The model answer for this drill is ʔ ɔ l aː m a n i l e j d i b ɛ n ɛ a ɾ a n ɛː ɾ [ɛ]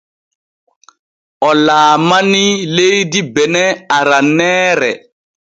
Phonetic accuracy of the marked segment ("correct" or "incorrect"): correct